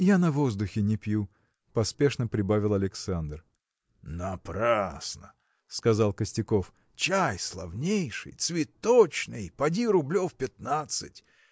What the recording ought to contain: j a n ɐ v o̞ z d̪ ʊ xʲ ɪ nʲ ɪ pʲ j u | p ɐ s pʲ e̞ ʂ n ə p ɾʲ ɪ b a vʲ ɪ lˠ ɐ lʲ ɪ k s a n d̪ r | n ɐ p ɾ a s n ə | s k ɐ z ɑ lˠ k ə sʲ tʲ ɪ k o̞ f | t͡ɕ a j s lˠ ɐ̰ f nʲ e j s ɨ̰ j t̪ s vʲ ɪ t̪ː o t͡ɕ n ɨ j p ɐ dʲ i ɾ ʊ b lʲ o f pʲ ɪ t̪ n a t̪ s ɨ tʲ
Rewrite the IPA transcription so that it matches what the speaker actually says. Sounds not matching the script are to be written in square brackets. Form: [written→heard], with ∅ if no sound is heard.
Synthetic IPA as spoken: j a n ɐ v o̞ z d̪ ʊ xʲ ɪ nʲ ɪ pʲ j u | p ɐ s pʲ e̞ ʂ n ə p ɾʲ ɪ b a vʲ ɪ lˠ ɐ lʲ ɪ k s a n d̪ r | n ɐ p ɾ a s n ə | s k ɐ z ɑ lˠ k ə sʲ tʲ ɪ k o̞ f | t͡ɕ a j s lˠ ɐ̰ [f→v] nʲ e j [s→ʂ] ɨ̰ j t̪ s vʲ ɪ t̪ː o t͡ɕ n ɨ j p ɐ dʲ i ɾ ʊ b lʲ o f pʲ ɪ t̪ n a t̪ s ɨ tʲ